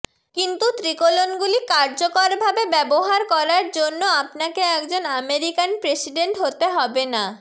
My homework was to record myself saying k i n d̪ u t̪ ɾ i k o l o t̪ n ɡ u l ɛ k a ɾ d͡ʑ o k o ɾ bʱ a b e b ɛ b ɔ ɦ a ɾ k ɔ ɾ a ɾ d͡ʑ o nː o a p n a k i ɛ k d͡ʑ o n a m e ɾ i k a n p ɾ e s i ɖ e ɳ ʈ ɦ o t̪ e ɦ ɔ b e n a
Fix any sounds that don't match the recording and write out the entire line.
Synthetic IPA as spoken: k i n t̪ u t̪ ɾ i k o l o n ɡ u l i k a ɾ d͡ʑ o k o ɾ bʱ a b e b ɛ b o ɦ a ɾ k ɔ ɾ a ɾ d͡ʑ o nː o a p n a k e ɛ k d͡ʑ o n a m e ɾ i k a n p ɾ e s i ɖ e ɳ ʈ ɦ o t̪ e ɦ ɔ b e n a